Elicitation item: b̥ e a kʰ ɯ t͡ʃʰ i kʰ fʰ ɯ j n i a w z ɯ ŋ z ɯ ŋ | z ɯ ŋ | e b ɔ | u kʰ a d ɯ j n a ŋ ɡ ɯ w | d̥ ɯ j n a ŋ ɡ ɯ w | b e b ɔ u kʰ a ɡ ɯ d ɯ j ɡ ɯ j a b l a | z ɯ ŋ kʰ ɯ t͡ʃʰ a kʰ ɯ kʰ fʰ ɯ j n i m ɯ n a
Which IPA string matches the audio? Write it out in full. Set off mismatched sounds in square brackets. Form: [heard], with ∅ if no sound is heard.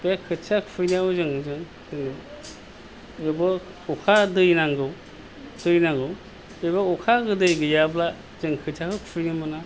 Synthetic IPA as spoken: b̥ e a kʰ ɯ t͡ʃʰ [a] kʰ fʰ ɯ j n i a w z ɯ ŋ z ɯ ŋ | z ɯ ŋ | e b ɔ | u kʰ a d ɯ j n a ŋ ɡ ɯ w | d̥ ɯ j n a ŋ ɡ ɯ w | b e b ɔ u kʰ a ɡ ɯ d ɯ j ɡ ɯ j a b l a | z ɯ ŋ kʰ ɯ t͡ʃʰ a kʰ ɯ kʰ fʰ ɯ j n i m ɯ n a